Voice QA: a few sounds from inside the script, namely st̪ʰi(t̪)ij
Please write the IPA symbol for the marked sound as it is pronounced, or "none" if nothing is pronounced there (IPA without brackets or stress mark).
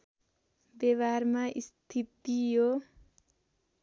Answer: t̪